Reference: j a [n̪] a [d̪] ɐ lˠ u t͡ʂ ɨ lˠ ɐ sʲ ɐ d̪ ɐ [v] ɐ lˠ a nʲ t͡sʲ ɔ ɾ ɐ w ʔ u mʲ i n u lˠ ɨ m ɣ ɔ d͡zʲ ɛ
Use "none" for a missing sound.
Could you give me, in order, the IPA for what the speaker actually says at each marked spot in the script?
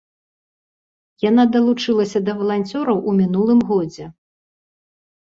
n̪, d̪, v

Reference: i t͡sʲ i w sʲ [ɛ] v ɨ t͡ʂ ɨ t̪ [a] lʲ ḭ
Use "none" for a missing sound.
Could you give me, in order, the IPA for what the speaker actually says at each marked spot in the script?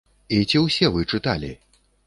ɛ, a

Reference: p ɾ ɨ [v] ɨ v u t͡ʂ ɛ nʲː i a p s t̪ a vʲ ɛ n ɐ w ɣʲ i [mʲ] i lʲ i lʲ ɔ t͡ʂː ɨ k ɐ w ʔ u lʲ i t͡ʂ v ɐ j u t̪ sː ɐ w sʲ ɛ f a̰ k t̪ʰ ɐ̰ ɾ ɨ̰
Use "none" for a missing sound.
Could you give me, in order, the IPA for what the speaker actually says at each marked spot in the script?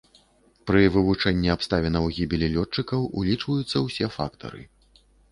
v, bʲ

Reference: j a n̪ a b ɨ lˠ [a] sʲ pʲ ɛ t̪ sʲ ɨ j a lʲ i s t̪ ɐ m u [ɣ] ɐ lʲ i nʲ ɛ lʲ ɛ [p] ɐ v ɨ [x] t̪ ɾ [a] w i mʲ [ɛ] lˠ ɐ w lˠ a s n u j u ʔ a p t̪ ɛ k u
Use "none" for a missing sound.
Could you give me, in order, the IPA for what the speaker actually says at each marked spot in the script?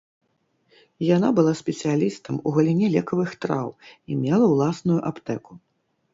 a, ɣ, k, x, a, ɛ

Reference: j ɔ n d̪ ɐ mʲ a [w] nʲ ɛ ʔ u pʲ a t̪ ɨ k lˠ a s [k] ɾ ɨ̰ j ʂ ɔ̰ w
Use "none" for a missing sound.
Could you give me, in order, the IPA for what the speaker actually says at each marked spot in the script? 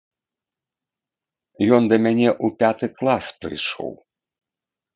none, p

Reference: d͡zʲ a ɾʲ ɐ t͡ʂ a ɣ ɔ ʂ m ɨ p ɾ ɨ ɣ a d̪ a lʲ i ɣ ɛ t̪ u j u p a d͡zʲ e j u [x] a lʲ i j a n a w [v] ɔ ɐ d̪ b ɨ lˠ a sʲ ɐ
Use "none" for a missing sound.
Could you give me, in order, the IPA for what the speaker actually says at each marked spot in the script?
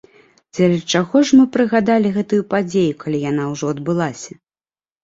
k, ʐ

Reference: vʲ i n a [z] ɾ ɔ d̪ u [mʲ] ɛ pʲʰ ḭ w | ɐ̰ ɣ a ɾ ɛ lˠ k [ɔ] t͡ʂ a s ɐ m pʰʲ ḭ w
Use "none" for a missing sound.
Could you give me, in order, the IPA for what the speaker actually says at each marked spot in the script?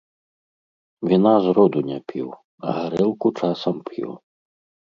z, nʲ, u

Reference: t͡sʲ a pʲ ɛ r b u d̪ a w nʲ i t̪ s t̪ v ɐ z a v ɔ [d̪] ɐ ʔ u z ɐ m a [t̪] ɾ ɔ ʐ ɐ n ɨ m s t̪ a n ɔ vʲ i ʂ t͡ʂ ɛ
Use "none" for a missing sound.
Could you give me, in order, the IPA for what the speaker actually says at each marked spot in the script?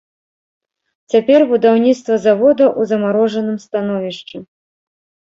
d̪, none

